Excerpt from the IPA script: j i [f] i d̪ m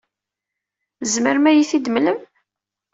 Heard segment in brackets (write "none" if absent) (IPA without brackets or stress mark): θ